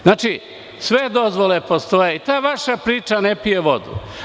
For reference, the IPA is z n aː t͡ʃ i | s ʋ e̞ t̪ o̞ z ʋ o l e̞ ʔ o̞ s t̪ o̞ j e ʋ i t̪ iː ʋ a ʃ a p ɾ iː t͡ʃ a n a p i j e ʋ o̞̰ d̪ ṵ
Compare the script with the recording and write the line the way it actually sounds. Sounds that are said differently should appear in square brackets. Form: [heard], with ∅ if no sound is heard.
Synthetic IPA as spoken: z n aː t͡ʃ i | s ʋ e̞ [d̪] o̞ z ʋ o l e̞ [p] o̞ s t̪ o̞ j e [∅] i t̪ [aː] ʋ a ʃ a p ɾ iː t͡ʃ a n [e] p i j e ʋ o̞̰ d̪ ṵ